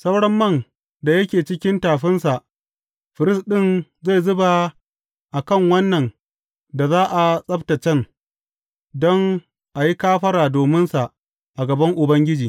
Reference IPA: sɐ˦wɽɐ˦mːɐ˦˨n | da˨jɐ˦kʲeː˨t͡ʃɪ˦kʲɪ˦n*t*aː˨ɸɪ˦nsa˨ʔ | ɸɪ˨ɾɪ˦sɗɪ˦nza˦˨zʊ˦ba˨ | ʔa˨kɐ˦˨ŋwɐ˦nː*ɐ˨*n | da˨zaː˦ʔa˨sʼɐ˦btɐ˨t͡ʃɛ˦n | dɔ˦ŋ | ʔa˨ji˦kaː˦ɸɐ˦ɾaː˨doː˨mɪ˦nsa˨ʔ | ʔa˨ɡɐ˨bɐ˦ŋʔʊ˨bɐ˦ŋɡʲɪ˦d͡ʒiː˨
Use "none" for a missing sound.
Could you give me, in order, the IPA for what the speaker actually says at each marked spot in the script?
t, ɐ˨

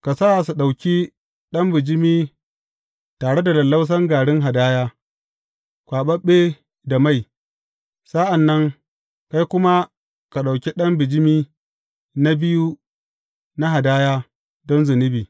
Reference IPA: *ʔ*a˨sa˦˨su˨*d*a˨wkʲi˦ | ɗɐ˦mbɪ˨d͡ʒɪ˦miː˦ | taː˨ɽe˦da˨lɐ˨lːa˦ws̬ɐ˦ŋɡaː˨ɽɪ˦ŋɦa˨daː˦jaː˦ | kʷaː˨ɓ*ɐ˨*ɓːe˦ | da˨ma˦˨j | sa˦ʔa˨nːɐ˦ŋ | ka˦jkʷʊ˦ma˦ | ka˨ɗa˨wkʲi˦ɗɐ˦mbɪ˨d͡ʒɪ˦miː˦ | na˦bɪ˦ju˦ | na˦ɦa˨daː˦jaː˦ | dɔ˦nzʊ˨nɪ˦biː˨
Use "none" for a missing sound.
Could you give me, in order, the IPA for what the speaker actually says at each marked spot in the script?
k, ɗ, ɐ˦

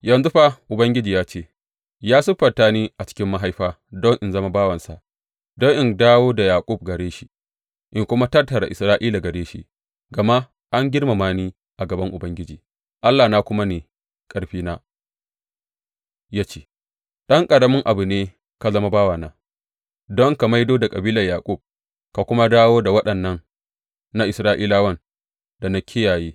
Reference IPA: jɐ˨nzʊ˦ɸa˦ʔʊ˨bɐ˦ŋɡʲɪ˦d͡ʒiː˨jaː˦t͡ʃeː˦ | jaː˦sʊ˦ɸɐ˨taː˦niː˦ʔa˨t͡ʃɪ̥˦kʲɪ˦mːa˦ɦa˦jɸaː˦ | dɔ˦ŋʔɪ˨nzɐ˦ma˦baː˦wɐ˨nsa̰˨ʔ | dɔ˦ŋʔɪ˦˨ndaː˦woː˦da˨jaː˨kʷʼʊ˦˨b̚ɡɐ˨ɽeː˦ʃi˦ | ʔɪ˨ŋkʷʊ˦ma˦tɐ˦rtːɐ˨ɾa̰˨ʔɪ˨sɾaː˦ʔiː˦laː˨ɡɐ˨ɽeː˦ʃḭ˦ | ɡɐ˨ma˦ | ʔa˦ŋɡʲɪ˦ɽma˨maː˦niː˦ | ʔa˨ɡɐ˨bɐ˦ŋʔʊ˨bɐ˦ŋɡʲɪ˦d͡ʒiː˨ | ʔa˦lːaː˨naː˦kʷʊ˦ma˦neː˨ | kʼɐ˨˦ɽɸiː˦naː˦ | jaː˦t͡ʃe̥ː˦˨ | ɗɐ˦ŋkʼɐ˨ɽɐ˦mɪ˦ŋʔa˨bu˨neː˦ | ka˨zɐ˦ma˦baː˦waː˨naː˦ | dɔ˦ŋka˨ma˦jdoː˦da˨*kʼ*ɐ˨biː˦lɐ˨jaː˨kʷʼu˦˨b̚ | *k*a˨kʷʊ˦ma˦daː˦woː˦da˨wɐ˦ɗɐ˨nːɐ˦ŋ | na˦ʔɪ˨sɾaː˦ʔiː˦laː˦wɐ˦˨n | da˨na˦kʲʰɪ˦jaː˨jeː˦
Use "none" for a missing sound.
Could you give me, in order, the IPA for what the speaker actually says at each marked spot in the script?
kʼ, k

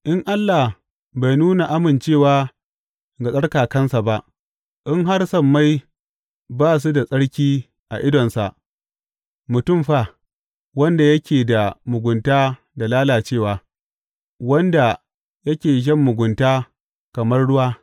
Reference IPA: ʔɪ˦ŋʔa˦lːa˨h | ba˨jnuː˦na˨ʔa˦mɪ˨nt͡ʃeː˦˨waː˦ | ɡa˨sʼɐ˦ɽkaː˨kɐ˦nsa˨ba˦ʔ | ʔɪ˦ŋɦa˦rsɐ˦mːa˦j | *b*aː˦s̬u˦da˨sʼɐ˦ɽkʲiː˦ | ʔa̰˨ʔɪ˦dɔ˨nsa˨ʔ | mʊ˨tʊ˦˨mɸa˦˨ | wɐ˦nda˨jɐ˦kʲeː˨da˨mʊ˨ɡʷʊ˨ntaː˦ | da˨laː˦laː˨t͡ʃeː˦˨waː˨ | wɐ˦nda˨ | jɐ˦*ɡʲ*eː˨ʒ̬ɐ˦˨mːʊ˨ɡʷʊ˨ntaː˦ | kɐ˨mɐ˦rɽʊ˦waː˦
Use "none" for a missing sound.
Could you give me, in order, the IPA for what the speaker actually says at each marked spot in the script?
b, kʲ

